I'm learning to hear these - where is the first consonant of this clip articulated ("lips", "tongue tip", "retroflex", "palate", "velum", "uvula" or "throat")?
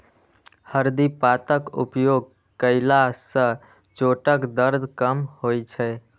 throat